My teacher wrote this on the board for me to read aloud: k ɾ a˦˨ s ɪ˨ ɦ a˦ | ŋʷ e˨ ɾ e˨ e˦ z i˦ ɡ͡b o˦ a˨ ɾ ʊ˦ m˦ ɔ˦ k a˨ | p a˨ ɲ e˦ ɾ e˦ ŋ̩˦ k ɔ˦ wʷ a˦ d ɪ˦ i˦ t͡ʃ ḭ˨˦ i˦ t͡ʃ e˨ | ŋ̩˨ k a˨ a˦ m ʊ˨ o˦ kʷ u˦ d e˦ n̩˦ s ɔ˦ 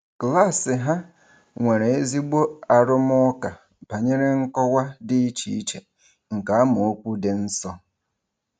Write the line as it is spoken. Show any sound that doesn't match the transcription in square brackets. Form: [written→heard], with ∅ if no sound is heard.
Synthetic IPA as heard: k [ɾ→l] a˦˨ s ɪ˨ ɦ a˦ | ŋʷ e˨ ɾ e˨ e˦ z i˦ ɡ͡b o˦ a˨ ɾ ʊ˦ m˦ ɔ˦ k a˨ | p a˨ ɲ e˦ ɾ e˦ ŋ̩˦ k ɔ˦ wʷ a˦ d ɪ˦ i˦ t͡ʃ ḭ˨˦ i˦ t͡ʃ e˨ | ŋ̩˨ k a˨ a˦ m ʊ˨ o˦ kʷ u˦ d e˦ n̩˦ s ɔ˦